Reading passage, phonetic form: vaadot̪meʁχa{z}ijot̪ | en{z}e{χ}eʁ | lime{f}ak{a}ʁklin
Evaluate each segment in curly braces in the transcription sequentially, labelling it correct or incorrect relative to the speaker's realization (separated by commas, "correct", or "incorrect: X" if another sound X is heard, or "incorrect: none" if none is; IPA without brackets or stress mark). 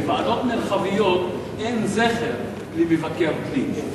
incorrect: v, correct, correct, incorrect: v, incorrect: e